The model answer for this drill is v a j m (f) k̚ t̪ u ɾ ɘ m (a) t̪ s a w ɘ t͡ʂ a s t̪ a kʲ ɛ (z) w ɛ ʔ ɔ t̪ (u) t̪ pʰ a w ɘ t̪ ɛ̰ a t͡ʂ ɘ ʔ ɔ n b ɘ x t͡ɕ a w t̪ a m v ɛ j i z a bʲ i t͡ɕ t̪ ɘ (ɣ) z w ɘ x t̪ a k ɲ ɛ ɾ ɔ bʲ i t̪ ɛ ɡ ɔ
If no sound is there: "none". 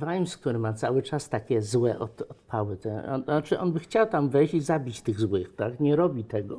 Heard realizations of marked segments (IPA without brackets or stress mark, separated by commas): s, a, z, ɔ, ɣ